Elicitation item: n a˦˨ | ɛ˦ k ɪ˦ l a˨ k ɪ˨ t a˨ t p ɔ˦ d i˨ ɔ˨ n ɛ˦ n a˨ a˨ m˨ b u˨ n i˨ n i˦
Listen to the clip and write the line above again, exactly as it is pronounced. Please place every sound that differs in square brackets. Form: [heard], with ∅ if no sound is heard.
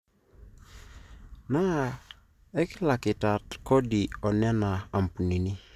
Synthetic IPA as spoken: n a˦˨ | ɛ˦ k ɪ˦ l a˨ k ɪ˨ t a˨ t [k] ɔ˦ d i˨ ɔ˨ n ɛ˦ n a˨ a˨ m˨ [p] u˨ n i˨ n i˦

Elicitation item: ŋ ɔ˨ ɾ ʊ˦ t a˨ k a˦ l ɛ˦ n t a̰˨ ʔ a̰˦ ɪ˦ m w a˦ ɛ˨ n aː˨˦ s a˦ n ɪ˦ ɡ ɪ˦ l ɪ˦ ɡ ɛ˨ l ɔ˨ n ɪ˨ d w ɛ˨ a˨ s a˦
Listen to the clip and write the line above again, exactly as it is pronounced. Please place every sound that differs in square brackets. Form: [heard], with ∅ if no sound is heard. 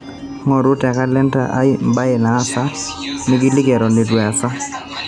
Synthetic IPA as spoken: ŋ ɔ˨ ɾ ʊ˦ t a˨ k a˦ l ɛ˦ n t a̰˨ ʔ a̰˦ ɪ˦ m [b] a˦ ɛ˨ n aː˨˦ s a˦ n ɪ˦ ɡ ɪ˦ l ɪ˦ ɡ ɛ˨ [ɾ] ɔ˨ n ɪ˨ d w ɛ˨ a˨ s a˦

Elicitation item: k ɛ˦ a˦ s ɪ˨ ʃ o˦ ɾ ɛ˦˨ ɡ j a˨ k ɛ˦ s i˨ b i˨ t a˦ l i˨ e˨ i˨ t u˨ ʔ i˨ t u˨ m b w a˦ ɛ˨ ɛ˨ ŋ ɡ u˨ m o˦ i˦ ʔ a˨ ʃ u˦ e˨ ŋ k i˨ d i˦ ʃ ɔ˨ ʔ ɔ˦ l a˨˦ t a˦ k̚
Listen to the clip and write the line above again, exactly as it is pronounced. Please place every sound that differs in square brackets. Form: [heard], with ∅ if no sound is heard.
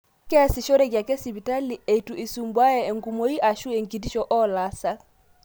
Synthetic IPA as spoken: k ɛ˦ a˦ s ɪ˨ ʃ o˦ ɾ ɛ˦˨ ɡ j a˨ k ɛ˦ s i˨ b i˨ t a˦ l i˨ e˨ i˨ t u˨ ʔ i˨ [s] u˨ m b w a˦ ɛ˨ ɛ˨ ŋ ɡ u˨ m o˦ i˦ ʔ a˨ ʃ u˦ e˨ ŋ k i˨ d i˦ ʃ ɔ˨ ʔ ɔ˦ l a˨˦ [s] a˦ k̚

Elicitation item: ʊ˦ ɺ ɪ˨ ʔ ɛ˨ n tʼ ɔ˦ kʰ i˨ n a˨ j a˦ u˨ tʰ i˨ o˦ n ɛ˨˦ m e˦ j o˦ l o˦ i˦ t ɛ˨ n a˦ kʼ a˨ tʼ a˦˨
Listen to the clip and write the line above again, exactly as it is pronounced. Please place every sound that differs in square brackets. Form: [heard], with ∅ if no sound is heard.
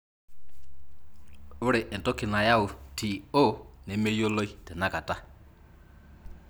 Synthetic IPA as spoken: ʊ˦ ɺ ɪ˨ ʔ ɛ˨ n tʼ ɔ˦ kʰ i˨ n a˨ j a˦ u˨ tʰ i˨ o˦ n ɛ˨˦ m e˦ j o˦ l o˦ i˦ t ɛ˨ n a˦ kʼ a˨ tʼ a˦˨

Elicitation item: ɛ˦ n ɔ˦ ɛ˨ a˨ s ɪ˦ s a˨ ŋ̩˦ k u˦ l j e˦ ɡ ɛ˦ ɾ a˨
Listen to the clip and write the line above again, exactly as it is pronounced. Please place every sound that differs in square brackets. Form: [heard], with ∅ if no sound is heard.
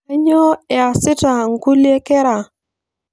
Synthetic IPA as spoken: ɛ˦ [ɲ] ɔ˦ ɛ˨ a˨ s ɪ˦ [t] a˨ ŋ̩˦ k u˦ l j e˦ [k] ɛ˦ ɾ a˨

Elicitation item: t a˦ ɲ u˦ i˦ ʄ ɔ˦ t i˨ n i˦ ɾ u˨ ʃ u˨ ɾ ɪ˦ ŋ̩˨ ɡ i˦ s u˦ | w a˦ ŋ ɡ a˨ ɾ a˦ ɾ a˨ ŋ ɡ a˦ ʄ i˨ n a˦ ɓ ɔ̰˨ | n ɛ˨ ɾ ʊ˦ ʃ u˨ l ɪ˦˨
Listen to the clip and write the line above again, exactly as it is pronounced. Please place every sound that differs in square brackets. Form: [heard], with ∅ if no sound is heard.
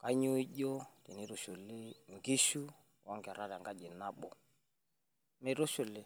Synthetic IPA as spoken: [k] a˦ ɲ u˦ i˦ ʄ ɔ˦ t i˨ n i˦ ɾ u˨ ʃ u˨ [l] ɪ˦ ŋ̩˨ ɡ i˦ [ʃ] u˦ | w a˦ ŋ ɡ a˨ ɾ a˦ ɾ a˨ ŋ ɡ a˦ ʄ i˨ n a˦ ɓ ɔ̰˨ | [m] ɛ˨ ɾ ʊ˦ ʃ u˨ l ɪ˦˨

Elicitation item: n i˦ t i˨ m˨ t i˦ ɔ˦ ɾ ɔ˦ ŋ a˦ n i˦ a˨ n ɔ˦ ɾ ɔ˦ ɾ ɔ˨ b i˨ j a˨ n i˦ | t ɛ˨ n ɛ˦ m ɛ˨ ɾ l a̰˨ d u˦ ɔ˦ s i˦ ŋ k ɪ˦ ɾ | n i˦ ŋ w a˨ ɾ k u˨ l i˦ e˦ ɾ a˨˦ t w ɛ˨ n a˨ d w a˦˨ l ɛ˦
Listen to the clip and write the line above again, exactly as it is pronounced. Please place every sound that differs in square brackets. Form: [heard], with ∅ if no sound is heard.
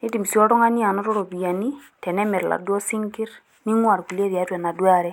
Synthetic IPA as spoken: n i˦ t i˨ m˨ [s] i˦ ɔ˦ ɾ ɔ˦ ŋ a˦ n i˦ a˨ n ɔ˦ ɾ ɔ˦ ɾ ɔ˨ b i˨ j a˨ n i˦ | t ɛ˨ n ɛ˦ m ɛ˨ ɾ l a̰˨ d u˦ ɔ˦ s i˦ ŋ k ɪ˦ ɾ | n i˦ ŋ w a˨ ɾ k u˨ l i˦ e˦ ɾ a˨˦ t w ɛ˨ n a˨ d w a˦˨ [ɾ] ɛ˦

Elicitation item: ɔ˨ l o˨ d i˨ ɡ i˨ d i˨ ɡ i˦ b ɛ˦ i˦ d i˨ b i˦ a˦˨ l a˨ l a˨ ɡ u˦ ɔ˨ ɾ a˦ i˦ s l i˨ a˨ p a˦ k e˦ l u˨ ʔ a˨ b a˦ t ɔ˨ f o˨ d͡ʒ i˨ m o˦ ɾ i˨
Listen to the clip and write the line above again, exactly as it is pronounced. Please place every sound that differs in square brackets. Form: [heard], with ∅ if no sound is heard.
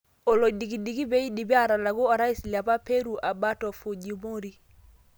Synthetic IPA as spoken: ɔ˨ l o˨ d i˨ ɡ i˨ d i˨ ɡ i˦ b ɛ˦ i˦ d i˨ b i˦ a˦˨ [ɾ] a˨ l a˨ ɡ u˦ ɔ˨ ɾ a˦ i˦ s l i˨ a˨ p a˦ [p] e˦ [ɾ] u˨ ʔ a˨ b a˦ t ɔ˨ f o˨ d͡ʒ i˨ m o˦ ɾ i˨

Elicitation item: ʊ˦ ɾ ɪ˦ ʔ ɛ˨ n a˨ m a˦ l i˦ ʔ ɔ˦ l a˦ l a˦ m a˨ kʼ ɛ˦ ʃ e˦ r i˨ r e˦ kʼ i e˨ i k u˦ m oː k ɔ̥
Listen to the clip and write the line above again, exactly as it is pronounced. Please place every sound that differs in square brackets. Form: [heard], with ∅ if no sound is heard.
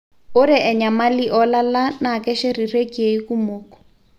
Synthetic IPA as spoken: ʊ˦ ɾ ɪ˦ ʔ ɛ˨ [ɲ] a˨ m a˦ l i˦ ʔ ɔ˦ l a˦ l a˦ [n] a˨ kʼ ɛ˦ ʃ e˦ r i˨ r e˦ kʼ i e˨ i k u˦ m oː k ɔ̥

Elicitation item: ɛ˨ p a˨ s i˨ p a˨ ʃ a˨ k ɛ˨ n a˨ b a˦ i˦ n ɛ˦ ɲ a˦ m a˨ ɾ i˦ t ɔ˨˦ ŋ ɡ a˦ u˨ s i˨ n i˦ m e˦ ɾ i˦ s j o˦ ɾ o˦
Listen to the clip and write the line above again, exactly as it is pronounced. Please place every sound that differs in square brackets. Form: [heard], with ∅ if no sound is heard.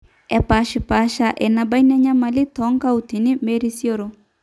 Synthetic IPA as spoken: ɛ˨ p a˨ [ʃ] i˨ p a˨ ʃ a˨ [ʔ] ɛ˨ n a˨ b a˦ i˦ n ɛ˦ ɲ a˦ m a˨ [l] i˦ t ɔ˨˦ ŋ [k] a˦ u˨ [t] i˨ n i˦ m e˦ ɾ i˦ s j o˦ ɾ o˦

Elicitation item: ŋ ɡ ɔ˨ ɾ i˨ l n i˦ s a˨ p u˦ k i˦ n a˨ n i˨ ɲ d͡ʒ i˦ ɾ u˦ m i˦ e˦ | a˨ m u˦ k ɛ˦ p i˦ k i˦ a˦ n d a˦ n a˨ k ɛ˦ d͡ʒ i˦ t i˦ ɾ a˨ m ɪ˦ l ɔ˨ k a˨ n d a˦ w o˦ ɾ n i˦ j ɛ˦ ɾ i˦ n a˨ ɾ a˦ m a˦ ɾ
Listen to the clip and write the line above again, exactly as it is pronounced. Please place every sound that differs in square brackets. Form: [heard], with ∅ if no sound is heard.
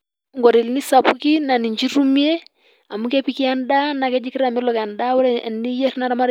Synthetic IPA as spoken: ŋ ɡ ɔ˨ ɾ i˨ l n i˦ s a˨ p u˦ k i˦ n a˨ n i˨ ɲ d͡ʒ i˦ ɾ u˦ m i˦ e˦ | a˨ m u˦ k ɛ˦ p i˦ k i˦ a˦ n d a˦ n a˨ k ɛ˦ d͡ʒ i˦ [k] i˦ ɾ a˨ m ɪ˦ l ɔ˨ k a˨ n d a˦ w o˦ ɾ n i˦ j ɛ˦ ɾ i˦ n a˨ ɾ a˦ m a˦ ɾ

